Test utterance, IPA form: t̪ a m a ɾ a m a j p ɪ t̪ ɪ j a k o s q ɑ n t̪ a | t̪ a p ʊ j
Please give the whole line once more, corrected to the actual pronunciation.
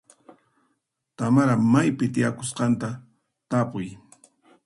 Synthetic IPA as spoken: t̪ a m a ɾ a m a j p ɪ t̪ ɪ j a k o s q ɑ n t̪ a | t̪ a p ʊ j